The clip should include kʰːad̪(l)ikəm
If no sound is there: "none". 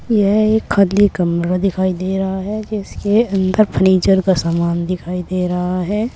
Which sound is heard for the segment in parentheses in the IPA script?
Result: l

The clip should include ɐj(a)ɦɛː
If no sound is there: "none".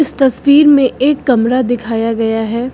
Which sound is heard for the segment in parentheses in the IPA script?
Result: a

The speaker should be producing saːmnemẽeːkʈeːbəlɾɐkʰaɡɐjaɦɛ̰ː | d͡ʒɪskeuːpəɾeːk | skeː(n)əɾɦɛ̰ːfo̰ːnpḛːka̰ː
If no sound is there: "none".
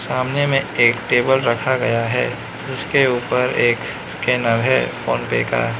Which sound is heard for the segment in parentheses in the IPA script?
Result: n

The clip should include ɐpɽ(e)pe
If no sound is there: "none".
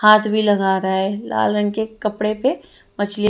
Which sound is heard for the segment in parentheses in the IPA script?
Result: e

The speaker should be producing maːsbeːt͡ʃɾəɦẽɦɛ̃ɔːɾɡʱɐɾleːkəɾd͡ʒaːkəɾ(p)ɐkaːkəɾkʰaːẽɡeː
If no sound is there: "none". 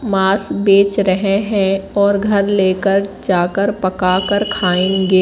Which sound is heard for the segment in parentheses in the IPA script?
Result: p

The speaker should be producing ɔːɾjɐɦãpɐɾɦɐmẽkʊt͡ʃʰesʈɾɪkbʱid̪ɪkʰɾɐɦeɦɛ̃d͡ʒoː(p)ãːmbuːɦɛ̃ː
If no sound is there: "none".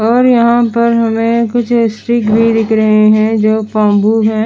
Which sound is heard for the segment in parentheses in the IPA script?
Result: p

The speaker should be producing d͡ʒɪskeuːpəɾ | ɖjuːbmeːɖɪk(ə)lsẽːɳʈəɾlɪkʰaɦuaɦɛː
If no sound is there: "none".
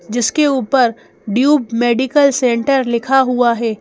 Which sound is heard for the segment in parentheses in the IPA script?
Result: ə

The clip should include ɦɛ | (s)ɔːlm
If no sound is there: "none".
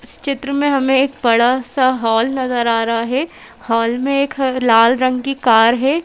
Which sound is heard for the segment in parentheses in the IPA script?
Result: h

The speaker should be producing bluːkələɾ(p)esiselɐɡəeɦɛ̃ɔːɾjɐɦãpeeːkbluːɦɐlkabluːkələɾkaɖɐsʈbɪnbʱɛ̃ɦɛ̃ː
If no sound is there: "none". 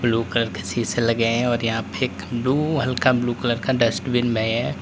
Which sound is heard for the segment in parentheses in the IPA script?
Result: k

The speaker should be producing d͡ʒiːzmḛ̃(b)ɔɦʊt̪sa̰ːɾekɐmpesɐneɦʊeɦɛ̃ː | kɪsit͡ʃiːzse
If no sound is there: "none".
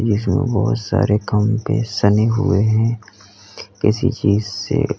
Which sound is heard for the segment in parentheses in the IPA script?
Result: b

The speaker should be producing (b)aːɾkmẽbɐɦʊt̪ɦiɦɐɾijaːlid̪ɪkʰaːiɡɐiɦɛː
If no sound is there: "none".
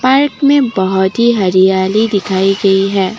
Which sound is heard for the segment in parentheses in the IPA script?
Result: p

